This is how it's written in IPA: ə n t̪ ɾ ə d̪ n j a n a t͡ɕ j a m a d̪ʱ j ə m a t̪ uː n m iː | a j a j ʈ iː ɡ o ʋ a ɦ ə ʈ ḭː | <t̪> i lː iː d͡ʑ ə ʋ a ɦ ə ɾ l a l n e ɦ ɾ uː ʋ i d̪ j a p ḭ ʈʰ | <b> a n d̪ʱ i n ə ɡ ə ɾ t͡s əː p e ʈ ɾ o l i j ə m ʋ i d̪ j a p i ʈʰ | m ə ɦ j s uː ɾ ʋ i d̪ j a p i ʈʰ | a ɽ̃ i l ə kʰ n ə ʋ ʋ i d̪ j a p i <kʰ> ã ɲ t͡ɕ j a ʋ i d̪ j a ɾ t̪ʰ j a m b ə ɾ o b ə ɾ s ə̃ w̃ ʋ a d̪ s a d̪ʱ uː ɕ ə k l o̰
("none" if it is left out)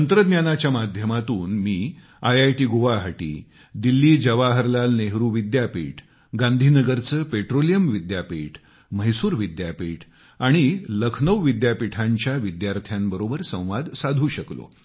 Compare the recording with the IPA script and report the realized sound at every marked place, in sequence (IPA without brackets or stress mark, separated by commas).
d̪, ɡ, ʈʰ